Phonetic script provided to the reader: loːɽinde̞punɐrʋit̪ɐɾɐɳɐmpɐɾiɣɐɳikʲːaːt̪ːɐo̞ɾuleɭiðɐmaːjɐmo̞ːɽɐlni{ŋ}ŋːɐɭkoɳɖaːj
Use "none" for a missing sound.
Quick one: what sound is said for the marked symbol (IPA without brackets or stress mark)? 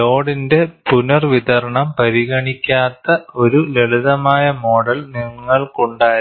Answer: ŋ